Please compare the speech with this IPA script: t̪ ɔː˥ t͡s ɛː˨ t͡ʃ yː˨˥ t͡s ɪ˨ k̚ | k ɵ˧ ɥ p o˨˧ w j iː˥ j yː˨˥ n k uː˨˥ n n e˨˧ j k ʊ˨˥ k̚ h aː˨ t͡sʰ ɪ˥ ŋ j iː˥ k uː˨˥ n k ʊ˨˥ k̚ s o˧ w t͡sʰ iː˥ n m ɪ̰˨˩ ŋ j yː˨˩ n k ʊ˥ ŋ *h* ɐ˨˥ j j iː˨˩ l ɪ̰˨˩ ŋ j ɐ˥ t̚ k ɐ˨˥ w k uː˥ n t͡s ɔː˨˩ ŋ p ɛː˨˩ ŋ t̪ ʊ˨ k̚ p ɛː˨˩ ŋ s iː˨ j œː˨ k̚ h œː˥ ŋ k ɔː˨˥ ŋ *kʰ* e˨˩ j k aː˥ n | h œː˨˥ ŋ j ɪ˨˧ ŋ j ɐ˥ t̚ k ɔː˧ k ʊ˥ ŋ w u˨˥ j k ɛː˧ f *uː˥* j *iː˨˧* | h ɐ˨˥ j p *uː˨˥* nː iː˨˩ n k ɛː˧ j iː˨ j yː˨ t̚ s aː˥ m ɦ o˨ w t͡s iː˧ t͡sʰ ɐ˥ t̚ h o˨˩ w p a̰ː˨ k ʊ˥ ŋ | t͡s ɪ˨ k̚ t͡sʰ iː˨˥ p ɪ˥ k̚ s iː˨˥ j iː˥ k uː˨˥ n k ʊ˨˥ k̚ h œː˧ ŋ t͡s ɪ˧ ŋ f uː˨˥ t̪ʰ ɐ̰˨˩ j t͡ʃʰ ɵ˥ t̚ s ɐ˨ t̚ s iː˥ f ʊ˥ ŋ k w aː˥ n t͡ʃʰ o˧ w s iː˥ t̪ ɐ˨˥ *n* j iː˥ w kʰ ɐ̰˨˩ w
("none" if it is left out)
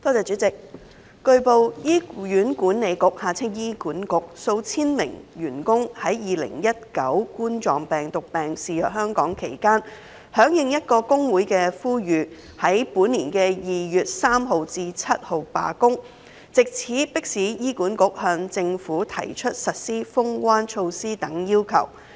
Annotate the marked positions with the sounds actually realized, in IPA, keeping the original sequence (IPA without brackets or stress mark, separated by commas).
h, kʰ, uː˥, yː˨˧, uː˨˥, ŋ